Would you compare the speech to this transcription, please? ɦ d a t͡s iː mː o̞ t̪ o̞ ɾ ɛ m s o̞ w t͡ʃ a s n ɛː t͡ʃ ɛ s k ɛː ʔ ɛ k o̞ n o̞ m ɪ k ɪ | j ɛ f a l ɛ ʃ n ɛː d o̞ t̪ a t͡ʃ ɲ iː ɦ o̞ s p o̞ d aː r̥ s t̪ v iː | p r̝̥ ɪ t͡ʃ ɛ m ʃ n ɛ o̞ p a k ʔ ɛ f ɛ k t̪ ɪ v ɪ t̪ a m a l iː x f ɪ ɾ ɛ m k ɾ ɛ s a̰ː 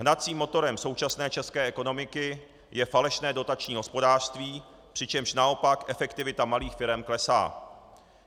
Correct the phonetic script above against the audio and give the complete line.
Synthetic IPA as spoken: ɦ n a t͡s iː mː o̞ t̪ o̞ ɾ ɛ m s o̞ w t͡ʃ a s n ɛː t͡ʃ ɛ s k ɛː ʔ ɛ k o̞ n o̞ m ɪ k ɪ | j ɛ f a l ɛ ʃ n ɛː d o̞ t̪ a t͡ʃ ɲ iː ɦ o̞ s p o̞ d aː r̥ s t̪ v iː | p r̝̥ ɪ t͡ʃ ɛ m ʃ n a o̞ p a k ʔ ɛ f ɛ k t̪ ɪ v ɪ t̪ a m a l iː x f ɪ ɾ ɛ m k l ɛ s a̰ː